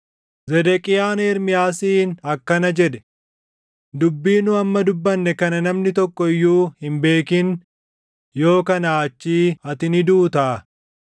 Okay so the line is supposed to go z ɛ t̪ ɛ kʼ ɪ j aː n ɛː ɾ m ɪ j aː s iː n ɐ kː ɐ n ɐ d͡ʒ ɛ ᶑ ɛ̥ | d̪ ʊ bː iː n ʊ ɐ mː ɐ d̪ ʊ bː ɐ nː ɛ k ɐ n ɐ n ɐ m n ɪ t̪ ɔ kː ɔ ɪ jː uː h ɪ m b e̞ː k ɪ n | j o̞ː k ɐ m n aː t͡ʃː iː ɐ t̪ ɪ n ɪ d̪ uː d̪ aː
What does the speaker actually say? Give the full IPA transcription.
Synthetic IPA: z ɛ d̪ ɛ kʼ ɪ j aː n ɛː ɾ m ɪ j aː s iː n ɐ kː ɐ n ɐ d͡ʒ ɛ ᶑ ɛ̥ | d̪ ʊ bː iː n ʊ ɐ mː ɐ d̪ ʊ bː ɐ nː ɛ k ɐ n ɐ n ɐ m n ɪ t̪ ɔ kː ɔ ɪ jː uː h ɪ m b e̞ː k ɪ n | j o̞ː k ɐ n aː t͡ʃː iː ɐ t̪ ɪ n ɪ d̪ uː t̪ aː

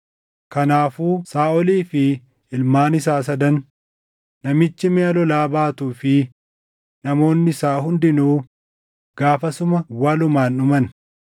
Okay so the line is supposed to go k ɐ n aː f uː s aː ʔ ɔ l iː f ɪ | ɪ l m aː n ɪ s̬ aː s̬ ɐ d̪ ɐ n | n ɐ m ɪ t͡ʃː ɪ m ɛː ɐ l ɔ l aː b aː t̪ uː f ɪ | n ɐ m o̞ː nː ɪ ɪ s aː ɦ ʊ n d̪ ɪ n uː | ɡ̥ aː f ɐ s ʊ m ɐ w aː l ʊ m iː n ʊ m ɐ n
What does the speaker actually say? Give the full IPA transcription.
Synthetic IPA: k ɐ n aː f uː s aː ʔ ɔ l iː f ɪ | ɪ l m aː n ɪ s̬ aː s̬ ɐ d̪ ɐ n | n ɐ m ɪ t͡ʃː ɪ m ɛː ɐ l ɔ l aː b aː t̪ uː f ɪ | n ɐ m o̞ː nː ɪ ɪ s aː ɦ ʊ n d̪ ɪ n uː | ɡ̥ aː f ɐ s ʊ m ɐ w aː l ʊ m aː n ʊ m ɐ n

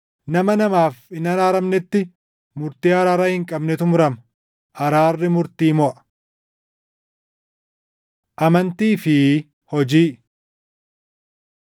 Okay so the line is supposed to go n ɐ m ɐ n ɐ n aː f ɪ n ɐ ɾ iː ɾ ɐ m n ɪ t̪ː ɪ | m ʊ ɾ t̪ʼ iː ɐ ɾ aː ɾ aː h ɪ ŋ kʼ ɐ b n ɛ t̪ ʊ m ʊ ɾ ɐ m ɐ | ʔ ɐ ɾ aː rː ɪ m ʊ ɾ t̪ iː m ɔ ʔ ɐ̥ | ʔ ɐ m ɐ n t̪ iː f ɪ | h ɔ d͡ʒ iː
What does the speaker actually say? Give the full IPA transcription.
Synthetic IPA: n ɐ m ɐ n ɐ m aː f ɪ n ɐ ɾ aː ɾ ɐ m n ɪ t̪ː ɪ | m ʊ ɾ t̪ iː ɐ ɾ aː ɾ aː h ɪ ŋ kʼ ɐ b n ɛ t̪ ʊ m ʊ ɾ ɐ m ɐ | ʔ ɐ ɾ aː rː ɪ m ʊ ɾ t̪ iː m ɔ ʔ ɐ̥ | ʔ ɐ m ɐ n t̪ iː f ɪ | h ɔ d͡ʒ iː

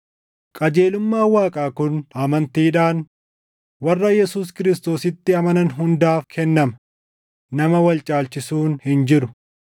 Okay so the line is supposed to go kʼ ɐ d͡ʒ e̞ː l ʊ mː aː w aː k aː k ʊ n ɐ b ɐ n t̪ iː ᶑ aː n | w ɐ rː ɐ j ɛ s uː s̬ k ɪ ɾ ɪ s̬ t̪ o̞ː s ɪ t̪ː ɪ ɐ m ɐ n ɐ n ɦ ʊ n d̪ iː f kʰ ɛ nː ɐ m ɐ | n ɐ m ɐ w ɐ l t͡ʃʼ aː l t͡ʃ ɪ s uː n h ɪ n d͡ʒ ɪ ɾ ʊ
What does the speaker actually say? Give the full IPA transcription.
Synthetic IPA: kʼ ɐ d͡ʒ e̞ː l ʊ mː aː w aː kʼ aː k ʊ n ɐ m ɐ n t̪ iː ᶑ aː n | w ɐ rː ɐ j ɛ s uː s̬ k ɪ ɾ ɪ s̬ t̪ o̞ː s ɪ t̪ː ɪ ɐ m ɐ n ɐ n ɦ ʊ n d̪ aː f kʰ ɛ nː ɐ m ɐ | n ɐ m ɐ w ɐ l t͡ʃʼ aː l t͡ʃ ɪ s uː n h ɪ n d͡ʒ ɪ ɾ ʊ

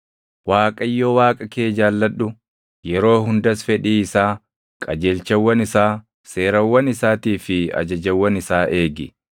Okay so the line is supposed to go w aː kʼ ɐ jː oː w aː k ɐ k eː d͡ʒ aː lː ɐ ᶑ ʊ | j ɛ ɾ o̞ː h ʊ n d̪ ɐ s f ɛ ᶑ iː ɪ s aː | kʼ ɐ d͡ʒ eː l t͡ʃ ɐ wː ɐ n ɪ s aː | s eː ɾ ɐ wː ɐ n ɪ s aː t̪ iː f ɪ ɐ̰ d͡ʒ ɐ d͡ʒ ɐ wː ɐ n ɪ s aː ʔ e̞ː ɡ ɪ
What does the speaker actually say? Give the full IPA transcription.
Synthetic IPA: w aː kʼ ɐ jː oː w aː kʼ ɐ k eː d͡ʒ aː lː ɐ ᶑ ʊ | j ɛ ɾ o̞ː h ʊ n d̪ ɐ s f ɛ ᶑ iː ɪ s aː | kʼ ɐ d͡ʒ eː l t͡ʃ ɐ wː ɐ n ɪ s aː | s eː ɾ ɐ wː ɐ n ɪ s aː t̪ iː f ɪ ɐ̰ d͡ʒ ɐ d͡ʒ ɐ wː ɐ n ɪ s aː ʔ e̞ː ɡ ɪ

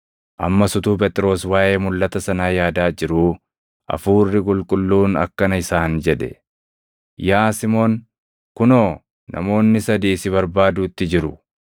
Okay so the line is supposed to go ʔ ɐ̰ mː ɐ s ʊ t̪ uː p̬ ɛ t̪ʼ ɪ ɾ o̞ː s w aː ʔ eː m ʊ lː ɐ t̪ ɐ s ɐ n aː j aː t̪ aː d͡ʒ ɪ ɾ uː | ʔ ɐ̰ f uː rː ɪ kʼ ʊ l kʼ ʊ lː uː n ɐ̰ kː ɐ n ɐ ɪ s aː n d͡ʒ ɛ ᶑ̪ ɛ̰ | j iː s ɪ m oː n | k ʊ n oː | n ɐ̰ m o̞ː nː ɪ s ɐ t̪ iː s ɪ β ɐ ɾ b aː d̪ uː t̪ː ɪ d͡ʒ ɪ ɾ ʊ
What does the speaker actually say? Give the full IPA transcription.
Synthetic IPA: ʔ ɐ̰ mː ɐ s ʊ t̪ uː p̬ ɛ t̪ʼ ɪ ɾ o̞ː s w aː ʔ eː m ʊ lː ɐ t̪ ɐ s ɐ n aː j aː d̪ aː d͡ʒ ɪ ɾ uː | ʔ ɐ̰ f uː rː ɪ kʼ ʊ l kʼ ʊ lː uː n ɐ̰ kː ɐ n ɐ ɪ s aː n d͡ʒ ɛ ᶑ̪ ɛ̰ | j aː s ɪ m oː n | k ʊ n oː | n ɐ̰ m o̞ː nː ɪ s ɐ d̪ iː s ɪ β ɐ ɾ b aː d̪ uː t̪ː ɪ d͡ʒ ɪ ɾ ʊ

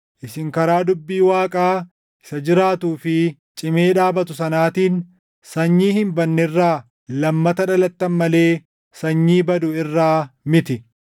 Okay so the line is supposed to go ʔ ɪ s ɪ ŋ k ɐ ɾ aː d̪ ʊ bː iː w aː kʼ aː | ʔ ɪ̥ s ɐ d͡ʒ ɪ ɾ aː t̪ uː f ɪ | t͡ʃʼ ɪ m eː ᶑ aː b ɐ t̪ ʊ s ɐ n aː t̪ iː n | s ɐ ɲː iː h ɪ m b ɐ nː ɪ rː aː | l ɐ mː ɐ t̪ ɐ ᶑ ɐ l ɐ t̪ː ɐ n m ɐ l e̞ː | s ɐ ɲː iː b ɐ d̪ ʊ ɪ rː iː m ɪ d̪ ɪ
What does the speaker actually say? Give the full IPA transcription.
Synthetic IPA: ʔ ɪ s ɪ ŋ k ɐ ɾ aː d̪ ʊ bː iː w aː kʼ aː | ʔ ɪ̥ s ɐ d͡ʒ ɪ ɾ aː t̪ uː f ɪ | t͡ʃʼ ɪ m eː ᶑ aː b ɐ t̪ ʊ s ɐ n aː t̪ iː n | s ɐ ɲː iː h ɪ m b ɐ nː ɪ rː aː | l ɐ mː ɐ t̪ ɐ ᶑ ɐ l ɐ t̪ː ɐ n m ɐ l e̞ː | s ɐ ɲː iː b ɐ d̪ ʊ ɪ rː aː m ɪ t̪ ɪ

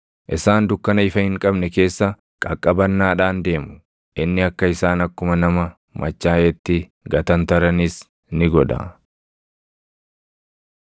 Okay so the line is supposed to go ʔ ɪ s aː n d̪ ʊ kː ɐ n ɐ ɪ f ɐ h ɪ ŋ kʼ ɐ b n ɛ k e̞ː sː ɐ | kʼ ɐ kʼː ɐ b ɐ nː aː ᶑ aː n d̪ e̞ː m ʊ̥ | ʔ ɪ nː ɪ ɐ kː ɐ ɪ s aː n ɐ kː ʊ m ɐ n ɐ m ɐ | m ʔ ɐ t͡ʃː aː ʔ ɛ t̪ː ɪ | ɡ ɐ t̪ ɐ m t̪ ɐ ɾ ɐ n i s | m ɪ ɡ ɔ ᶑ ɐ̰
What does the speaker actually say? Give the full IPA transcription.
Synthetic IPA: ʔ ɪ s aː n d̪ ʊ kː ɐ n ɐ ɪ f ɐ h ɪ ŋ kʼ ɐ b n ɛ k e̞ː sː ɐ | kʼ ɐ kʼː ɐ b ɐ nː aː ᶑ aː n d̪ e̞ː m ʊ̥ | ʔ ɪ nː ɪ ɐ kː ɐ ɪ s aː n ɐ kː ʊ m ɐ n ɐ m ɐ | m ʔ ɐ t͡ʃː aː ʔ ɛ t̪ː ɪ | ɡ ɐ t̪ ɐ n t̪ ɐ ɾ ɐ n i s | n ɪ ɡ ɔ ᶑ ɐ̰

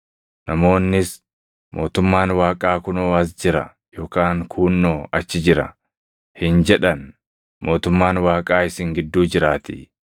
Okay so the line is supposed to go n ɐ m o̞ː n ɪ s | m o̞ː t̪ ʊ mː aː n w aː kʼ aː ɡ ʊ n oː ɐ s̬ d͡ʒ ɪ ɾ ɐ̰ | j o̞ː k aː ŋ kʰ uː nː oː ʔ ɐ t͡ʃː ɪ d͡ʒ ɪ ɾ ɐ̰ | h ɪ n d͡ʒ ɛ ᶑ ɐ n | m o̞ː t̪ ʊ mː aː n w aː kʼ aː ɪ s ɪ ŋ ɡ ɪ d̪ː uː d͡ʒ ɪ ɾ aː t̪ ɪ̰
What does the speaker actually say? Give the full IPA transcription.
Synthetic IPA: n ɐ m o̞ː nː ɪ s | m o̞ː t̪ ʊ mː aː n w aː kʼ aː k ʊ n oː ɐ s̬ d͡ʒ ɪ ɾ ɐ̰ | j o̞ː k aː ŋ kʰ uː nː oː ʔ ɐ t͡ʃː ɪ d͡ʒ ɪ ɾ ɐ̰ | h ɪ n d͡ʒ ɛ ᶑ ɐ n | m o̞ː t̪ ʊ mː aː n w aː kʼ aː ɪ s ɪ ŋ ɡ ɪ d̪ː uː d͡ʒ ɪ ɾ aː t̪ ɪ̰

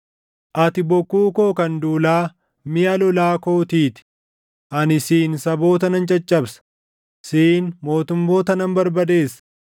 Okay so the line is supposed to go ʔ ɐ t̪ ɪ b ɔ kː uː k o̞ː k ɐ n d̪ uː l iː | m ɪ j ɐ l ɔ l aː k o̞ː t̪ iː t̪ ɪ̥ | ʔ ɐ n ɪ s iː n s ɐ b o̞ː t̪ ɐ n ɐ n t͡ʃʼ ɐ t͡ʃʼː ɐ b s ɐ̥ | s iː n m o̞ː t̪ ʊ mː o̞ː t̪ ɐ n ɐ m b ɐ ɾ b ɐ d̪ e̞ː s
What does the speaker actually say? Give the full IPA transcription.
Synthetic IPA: ʔ ɐ t̪ ɪ b ɔ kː uː k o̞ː k ɐ n d̪ uː l aː | m ɪ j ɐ l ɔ l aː k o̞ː t̪ iː t̪ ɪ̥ | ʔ ɐ n ɪ s iː n s ɐ b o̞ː t̪ ɐ n ɐ n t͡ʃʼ ɐ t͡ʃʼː ɐ b s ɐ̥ | s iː n m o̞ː t̪ ʊ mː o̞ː t̪ ɐ n ɐ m b ɐ ɾ b ɐ d̪ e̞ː s

